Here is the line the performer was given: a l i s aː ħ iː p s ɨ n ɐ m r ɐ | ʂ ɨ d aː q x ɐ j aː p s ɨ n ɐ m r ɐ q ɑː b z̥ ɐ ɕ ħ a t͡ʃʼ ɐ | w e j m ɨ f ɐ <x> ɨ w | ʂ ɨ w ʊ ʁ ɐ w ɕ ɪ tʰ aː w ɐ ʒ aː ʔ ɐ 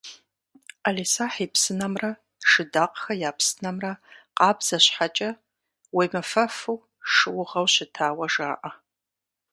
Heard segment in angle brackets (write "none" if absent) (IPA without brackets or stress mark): f